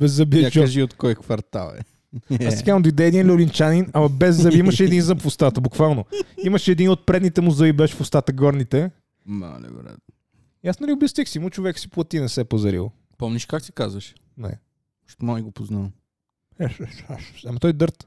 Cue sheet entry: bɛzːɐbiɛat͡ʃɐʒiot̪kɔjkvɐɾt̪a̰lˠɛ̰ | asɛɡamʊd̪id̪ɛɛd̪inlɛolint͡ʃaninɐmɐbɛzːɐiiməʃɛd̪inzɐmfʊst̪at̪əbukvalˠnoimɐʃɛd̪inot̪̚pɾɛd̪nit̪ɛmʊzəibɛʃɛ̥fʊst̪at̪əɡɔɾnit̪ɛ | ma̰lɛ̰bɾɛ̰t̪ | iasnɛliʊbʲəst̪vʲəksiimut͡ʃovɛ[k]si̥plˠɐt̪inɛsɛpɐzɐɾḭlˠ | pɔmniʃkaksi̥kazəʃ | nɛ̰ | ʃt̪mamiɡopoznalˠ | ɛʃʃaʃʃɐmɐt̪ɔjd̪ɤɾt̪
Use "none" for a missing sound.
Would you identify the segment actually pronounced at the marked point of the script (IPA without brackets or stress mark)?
k